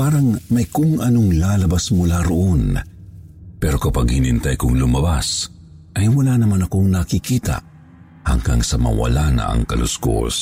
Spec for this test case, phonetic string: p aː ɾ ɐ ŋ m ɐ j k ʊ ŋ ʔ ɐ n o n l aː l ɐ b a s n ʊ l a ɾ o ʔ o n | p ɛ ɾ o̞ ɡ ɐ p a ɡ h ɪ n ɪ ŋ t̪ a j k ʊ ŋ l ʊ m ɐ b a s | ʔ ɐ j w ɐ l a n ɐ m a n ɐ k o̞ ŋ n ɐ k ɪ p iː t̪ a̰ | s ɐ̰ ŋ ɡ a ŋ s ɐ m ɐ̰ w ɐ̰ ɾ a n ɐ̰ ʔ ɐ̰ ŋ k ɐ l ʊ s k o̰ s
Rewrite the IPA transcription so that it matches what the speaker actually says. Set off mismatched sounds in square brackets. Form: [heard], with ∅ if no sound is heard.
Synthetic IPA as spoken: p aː ɾ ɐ ŋ m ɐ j k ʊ ŋ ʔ ɐ n o [ŋ] l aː l ɐ b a s [m] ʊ l a ɾ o ʔ o n | p ɛ ɾ o̞ [k] ɐ p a ɡ h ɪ n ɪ [n] t̪ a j k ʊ ŋ l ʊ m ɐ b a s | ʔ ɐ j w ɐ l a n ɐ m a n ɐ k o̞ ŋ n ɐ k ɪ [k] iː t̪ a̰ | [h] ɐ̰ ŋ ɡ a ŋ s ɐ m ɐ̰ w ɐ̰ [l] a n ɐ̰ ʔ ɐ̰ ŋ k ɐ l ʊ s k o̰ s